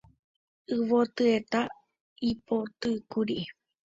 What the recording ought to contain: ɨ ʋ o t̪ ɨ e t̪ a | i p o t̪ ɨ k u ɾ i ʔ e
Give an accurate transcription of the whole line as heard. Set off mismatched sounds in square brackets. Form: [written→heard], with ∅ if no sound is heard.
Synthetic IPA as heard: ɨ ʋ o t̪ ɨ e t̪ a | i p o t̪ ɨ k u ɾ i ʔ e

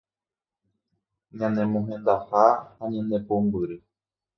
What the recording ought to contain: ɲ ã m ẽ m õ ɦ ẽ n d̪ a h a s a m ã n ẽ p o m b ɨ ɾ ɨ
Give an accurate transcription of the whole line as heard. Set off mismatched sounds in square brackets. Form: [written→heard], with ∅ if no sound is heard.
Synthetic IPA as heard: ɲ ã [m→n] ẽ m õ ɦ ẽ n d̪ a h a [s→h] a [m→ɲ] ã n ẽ p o m b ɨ ɾ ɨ

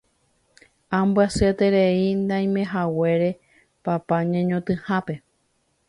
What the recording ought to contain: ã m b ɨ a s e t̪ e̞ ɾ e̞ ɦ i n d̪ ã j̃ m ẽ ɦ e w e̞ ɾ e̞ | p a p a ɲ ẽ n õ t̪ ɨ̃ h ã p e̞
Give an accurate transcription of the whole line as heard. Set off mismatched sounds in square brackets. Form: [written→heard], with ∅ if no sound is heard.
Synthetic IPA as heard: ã m b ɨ a s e t̪ e̞ ɾ e̞ [ɦ→∅] i n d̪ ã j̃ m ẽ ɦ [e→a] w e̞ ɾ e̞ | p a p a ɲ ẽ [n→ɲ] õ t̪ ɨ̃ h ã p e̞

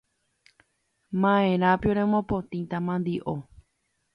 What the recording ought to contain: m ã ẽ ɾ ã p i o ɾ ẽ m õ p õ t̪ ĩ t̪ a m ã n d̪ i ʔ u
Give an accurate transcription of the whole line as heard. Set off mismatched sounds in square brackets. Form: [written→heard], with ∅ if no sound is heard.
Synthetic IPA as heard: m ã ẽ ɾ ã p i o ɾ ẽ m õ p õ t̪ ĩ t̪ a m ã n d̪ i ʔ [u→o]

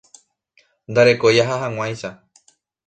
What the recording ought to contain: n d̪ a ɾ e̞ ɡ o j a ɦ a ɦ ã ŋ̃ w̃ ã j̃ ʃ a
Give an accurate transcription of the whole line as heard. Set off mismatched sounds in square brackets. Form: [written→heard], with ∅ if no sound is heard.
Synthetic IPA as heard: n d̪ a ɾ e̞ [ɡ→k] o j a ɦ a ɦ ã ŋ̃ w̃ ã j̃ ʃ a

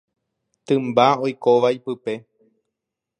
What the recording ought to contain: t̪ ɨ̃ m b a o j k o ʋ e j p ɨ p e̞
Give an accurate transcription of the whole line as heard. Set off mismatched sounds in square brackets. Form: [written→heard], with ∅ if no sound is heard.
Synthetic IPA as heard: t̪ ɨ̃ m b a o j k o ʋ [e→a] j p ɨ p e̞

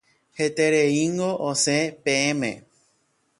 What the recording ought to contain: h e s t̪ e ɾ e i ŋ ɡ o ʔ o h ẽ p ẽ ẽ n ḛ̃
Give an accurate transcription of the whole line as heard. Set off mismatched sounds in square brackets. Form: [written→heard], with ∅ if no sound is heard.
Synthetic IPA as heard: h e [s→∅] t̪ e ɾ e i ŋ ɡ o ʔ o [h→s] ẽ p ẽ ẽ [n→m] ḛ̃

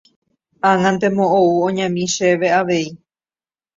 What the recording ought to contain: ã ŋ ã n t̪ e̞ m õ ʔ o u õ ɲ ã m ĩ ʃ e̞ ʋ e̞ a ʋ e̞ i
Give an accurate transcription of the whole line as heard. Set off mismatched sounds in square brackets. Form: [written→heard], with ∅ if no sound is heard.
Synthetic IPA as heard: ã ŋ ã n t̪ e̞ m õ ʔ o u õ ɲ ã m ĩ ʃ e̞ ʋ e̞ a ʋ e̞ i

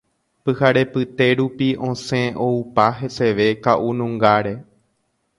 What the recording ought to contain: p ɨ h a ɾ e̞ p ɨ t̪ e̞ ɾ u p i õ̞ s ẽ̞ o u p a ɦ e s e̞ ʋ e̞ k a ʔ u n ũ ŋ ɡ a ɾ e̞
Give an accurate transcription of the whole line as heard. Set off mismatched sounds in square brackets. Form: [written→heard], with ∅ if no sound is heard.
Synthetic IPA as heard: p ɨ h a ɾ e̞ p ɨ t̪ e̞ ɾ u p i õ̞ s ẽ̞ o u p a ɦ e s e̞ ʋ e̞ k a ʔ u n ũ ŋ ɡ a ɾ e̞

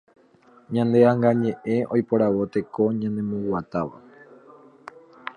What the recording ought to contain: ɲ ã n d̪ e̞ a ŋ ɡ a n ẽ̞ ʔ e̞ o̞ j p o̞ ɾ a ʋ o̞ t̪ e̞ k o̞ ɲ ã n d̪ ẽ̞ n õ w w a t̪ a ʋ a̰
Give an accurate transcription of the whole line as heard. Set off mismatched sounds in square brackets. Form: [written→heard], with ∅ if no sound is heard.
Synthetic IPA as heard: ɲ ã n d̪ e̞ a ŋ ɡ a [n→ɲ] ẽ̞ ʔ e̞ o̞ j p o̞ ɾ a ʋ o̞ t̪ e̞ k o̞ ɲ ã n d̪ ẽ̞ [n→m] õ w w a t̪ a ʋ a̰

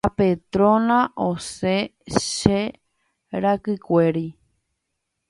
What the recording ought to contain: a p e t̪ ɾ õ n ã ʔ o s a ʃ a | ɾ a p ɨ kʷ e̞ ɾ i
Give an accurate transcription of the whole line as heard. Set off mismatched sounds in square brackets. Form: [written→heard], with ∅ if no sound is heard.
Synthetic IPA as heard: a p e t̪ ɾ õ n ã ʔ o s [a→e] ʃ [a→e] | ɾ a [p→k] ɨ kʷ e̞ ɾ i

